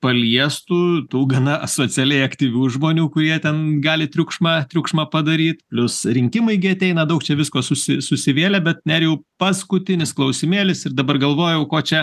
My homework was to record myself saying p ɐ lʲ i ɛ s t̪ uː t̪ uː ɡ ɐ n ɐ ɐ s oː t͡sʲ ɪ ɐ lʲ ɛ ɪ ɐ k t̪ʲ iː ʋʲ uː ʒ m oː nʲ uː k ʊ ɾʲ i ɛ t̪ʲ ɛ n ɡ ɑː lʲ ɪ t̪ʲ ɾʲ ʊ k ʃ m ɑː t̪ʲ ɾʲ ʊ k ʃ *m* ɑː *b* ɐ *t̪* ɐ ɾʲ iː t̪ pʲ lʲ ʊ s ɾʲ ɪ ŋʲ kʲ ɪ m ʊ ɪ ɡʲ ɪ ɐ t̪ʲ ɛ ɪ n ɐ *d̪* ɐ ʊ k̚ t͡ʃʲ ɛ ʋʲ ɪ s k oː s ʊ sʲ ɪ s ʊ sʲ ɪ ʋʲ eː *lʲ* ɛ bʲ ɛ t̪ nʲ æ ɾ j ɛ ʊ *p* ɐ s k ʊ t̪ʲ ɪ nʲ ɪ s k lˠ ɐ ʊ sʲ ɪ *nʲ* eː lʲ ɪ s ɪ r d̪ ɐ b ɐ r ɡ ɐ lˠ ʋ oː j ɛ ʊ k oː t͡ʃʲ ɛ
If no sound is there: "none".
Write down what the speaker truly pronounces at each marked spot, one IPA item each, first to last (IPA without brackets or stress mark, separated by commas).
m, p, d̪, d̪, lʲ, p, mʲ